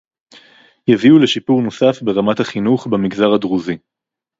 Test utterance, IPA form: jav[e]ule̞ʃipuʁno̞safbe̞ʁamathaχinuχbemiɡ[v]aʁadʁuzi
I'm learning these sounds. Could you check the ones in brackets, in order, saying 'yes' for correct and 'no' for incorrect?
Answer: no, no

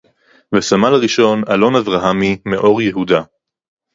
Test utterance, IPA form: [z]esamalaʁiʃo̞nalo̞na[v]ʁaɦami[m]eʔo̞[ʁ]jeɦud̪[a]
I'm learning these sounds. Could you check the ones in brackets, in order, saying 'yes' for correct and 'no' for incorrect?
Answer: no, yes, yes, yes, yes

